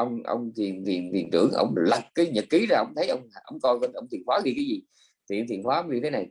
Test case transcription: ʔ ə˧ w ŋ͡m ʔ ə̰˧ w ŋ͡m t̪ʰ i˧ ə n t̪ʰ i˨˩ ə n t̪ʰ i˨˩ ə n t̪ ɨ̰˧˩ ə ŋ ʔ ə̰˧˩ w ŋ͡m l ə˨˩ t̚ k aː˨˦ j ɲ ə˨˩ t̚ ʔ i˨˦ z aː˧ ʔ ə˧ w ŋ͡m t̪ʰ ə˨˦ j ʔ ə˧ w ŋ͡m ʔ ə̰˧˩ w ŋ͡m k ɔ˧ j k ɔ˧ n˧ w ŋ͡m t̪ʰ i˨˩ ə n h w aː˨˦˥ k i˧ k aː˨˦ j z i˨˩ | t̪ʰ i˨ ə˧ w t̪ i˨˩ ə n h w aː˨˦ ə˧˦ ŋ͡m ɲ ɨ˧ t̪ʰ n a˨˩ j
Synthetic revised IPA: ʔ ə˧ w ŋ͡m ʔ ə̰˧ w ŋ͡m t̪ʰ i˨˩ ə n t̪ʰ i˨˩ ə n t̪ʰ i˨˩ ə n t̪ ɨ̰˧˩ ə ŋ ʔ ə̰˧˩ w ŋ͡m l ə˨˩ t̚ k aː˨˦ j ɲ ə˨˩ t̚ k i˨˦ z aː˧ ʔ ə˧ w ŋ͡m t̪ʰ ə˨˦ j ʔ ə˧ w ŋ͡m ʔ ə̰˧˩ w ŋ͡m k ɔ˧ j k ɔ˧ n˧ w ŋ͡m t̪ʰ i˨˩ ə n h w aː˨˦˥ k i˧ k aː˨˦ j z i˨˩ | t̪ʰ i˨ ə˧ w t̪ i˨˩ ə n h w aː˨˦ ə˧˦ ŋ͡m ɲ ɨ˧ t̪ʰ n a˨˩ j